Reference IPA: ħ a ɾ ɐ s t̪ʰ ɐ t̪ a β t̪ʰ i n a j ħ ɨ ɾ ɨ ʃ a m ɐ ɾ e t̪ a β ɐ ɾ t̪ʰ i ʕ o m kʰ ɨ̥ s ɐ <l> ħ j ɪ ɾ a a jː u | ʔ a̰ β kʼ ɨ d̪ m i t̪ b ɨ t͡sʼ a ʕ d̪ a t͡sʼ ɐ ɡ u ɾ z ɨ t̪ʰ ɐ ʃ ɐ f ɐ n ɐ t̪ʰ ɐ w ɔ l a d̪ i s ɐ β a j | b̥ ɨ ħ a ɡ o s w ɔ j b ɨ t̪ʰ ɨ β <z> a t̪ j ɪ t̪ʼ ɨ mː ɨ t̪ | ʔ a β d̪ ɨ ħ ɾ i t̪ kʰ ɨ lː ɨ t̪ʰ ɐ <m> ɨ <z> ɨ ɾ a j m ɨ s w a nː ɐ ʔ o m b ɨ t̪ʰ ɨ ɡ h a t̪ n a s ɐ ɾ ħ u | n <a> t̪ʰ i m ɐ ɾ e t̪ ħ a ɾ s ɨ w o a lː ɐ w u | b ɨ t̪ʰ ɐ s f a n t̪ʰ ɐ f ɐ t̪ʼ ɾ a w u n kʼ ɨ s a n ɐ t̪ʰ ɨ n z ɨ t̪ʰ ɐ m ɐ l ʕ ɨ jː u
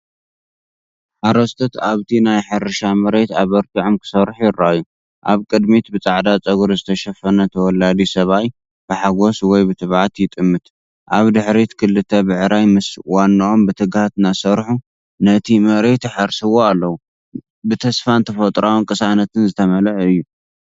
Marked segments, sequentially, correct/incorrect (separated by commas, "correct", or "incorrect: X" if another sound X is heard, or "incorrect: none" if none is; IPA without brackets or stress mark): incorrect: ɾ, incorrect: ʕ, incorrect: b, incorrect: ʕ, incorrect: ɐ